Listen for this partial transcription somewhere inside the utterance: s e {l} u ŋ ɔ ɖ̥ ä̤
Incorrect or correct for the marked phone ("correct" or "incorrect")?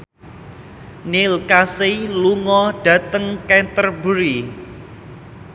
correct